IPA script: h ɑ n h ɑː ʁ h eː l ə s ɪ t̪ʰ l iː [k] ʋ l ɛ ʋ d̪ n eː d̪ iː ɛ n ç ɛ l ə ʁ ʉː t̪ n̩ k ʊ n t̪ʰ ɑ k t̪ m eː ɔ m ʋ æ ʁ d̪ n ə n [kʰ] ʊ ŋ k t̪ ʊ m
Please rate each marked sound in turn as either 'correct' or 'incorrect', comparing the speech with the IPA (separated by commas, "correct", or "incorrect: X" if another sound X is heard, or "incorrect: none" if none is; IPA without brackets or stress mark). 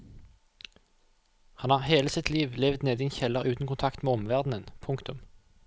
incorrect: none, incorrect: pʰ